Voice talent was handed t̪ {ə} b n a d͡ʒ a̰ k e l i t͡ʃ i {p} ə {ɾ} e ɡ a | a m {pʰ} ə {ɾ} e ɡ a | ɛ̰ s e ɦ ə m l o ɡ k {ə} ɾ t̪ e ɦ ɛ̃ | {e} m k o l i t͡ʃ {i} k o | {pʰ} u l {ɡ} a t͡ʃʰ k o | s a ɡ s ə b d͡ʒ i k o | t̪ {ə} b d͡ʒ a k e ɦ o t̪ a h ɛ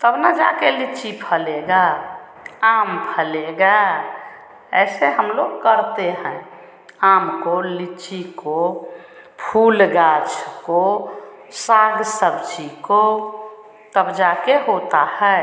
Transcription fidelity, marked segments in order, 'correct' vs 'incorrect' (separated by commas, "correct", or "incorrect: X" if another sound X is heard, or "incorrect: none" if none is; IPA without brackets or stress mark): correct, incorrect: pʰ, incorrect: l, correct, incorrect: l, correct, incorrect: a, correct, correct, correct, correct